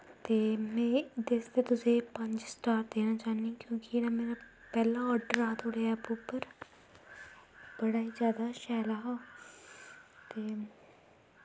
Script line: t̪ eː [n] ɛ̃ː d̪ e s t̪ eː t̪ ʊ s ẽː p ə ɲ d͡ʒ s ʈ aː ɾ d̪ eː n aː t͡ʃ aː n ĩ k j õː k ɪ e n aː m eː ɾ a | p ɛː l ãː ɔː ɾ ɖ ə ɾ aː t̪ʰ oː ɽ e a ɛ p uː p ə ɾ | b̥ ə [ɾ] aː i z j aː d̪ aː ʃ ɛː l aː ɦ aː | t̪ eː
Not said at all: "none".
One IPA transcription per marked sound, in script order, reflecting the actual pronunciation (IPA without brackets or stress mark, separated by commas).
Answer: m, ɽ